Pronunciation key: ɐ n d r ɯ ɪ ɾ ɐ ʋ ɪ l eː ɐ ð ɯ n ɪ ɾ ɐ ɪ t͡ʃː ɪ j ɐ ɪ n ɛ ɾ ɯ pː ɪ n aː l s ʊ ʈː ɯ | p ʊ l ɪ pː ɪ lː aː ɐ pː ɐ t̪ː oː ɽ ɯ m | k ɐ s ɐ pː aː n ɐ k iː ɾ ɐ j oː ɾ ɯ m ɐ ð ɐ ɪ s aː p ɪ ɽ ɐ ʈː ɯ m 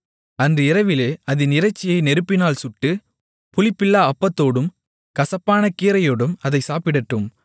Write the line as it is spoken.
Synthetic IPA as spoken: ɐ n d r ɯ ɪ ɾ ɐ ʋ ɪ l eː ɐ ð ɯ n ɪ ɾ ɐ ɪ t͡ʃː ɪ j ɐ ɪ n ɛ ɾ ɯ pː ɪ n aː l s ʊ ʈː ɯ | p ʊ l ɪ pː ɪ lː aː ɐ pː ɐ t̪ː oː ɽ ɯ m | k ɐ s ɐ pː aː n ɐ k iː ɾ ɐ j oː ɽ ɯ m ɐ ð ɐ ɪ s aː p ɪ ɽ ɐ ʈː ɯ m